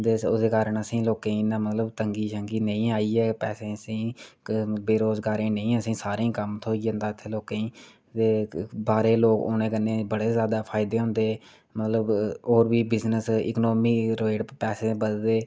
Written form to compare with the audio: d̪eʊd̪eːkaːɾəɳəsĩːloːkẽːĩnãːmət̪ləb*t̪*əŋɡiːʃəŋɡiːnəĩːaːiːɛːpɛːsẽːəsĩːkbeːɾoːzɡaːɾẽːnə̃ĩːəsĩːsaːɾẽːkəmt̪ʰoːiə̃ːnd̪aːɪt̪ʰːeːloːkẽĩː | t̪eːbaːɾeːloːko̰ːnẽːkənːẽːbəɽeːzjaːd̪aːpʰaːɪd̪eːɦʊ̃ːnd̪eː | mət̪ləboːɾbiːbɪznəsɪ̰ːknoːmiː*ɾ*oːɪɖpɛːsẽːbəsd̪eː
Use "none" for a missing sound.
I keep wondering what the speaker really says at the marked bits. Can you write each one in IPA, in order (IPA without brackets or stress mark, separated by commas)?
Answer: t̪, ɾ